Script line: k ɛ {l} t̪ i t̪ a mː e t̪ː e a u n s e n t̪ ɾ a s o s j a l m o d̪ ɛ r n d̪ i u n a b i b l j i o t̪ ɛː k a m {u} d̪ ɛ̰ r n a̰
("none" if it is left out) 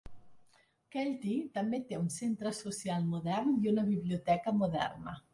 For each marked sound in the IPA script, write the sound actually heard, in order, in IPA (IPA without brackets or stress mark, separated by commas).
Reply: l, o